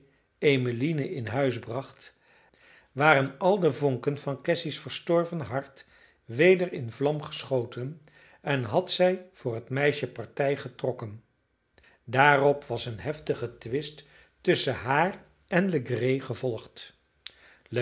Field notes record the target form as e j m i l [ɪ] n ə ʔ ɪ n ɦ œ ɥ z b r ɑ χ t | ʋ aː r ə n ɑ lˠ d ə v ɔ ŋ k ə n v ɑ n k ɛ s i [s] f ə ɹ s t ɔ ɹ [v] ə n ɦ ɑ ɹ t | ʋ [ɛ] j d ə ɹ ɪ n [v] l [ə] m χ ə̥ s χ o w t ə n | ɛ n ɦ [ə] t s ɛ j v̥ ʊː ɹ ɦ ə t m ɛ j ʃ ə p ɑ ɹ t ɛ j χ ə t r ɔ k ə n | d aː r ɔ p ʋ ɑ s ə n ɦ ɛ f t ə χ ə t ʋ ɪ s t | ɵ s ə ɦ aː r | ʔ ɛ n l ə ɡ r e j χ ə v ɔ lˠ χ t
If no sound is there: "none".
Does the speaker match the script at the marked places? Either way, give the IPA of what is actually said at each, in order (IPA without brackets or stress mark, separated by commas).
i, s, v, e, v, ɑ, ɑ